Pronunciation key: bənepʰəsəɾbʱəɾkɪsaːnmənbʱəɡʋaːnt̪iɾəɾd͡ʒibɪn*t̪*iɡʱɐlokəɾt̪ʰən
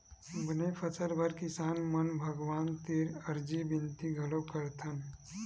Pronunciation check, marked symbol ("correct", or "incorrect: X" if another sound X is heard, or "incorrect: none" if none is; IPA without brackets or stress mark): correct